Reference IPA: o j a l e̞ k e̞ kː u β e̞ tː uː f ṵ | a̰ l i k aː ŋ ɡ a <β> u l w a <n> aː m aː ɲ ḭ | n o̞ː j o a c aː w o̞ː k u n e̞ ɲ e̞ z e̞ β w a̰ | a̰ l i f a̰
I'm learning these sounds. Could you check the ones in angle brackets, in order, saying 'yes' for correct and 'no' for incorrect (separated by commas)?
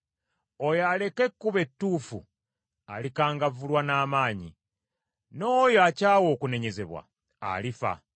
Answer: no, yes